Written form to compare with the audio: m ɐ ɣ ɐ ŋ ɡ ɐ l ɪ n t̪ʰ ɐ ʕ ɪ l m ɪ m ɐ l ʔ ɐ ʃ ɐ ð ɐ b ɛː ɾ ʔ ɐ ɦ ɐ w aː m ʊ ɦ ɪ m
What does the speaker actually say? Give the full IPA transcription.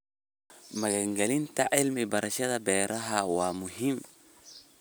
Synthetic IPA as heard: m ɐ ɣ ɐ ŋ ɡ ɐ l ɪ n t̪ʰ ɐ ʕ ɪ l m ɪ b ɐ ɾ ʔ ɐ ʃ ɐ ð ɐ b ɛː ɾ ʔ ɐ ɦ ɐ w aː m ʊ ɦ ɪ m

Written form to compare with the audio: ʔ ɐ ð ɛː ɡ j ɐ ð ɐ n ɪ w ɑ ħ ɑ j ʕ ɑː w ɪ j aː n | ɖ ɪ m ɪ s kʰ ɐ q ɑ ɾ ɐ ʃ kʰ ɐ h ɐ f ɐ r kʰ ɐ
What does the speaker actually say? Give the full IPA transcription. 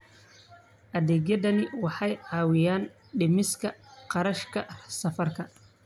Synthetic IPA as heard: ʔ ɐ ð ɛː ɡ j ɐ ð ɐ n ɪ w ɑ ħ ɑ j ʕ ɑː w ɪ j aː n | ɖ ɪ m ɪ s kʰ ɐ q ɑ ɾ ɐ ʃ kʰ ɐ s ɐ f ɐ r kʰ ɐ

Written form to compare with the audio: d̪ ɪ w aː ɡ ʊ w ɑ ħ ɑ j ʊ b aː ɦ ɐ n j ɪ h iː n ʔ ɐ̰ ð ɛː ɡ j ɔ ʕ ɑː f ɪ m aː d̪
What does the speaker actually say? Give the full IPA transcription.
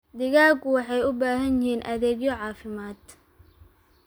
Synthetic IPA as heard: d̪ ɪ ɣ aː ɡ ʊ w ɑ ħ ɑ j ʊ b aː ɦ ɐ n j ɪ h iː n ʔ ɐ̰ ð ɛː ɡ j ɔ ʕ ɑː f ɪ m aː d̪

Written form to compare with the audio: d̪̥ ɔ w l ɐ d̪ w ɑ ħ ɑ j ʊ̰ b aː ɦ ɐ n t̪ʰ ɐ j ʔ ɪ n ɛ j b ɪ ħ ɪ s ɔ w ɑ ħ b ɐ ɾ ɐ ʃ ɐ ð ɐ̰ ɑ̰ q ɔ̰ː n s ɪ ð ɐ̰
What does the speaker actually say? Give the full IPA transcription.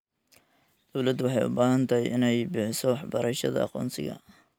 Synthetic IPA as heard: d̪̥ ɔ w l ɐ d̪ w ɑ ħ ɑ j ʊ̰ b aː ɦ ɐ n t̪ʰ ɐ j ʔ ɪ n ɛ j b ɪ ħ ɪ s ɔ w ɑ ħ b ɐ ɾ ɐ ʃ ɐ ð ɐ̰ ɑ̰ q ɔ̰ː n s ɪ ɣ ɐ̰

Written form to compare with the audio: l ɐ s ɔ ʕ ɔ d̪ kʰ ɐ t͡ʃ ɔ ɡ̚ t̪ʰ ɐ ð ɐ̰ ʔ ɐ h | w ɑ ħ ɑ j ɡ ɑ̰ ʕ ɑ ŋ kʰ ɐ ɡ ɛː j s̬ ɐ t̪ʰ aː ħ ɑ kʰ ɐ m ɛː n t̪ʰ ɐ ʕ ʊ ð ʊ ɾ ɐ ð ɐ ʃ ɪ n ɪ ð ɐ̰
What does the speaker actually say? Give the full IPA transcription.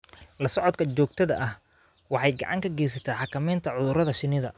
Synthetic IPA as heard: l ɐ s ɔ ʕ ɔ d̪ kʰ ɐ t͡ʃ ɔː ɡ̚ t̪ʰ ɐ ð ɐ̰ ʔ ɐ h | w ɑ ħ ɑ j ɡ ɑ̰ ʕ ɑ ŋ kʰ ɐ ɡ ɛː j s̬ ɐ t̪ʰ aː ħ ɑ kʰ ɐ m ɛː n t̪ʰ ɐ ʕ ʊ ð ʊ ɾ ɐ ð ɐ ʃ ɪ n ɪ ð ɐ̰

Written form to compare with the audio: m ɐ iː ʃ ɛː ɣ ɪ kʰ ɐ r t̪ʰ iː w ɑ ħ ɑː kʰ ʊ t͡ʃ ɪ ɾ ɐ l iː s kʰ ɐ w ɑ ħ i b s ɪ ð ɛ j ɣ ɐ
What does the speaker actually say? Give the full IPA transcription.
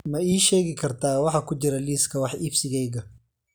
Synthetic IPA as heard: m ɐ iː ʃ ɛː ɣ ɪ kʰ ɐ r t̪ʰ aː w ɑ ħ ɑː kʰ ʊ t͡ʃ ɪ ɾ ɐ l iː s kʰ ɐ w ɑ ħ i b s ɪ ɣ ɛ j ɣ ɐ

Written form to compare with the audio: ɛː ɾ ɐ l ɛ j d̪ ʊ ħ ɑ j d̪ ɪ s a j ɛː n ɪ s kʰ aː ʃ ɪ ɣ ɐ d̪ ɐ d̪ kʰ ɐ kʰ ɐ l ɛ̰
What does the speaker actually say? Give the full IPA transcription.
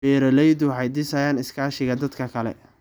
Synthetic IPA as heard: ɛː ɾ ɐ l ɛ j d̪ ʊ ħ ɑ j d̪ ɪ s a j aː n ɪ s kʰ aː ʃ ɪ ɣ ɐ d̪ ɐ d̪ kʰ ɐ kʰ ɐ l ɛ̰

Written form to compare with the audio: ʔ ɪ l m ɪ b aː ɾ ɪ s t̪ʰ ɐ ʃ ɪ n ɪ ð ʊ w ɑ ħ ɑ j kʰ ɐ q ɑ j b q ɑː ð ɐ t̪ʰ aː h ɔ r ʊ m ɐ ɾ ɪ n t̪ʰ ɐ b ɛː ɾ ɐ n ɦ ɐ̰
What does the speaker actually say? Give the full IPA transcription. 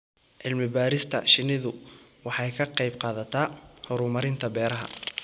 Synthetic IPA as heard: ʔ ɪ l m ɪ b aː ɾ ɪ s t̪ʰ ɐ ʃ ɪ n ɪ ð ʊ w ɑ ħ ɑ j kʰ ɐ q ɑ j b q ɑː ð ɐ t̪ʰ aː h ɔ ɾ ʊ m ɐ ɾ ɪ n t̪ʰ ɐ b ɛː ɾ ɐ ɦ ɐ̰

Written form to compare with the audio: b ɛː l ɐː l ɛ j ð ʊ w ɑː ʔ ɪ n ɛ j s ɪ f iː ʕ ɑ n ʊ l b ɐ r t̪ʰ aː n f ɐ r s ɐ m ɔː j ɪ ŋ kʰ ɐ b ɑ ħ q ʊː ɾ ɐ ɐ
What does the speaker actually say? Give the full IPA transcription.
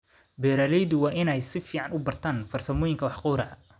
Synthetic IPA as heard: b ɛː ɾ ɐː l ɛ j ð ʊ w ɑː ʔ ɪ n ɛ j s ɪ f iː ʕ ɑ n ʊ b ɐ r t̪ʰ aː n f ɐ r s ɐ m ɔː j ɪ ŋ kʰ ɐ w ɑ ħ q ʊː ɾ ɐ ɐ

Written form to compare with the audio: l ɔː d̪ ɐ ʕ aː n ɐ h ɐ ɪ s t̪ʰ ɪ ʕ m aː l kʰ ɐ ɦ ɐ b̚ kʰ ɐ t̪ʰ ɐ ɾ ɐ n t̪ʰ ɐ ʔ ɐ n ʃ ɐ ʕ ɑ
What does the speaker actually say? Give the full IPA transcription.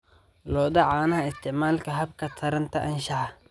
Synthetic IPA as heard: l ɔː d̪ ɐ ʕ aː n ɐ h ɐ ɪ s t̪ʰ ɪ ʕ m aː l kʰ ɐ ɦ ɐ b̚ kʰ ɐ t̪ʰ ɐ ɾ ɐ n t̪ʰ ɐ ʔ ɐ n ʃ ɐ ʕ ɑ

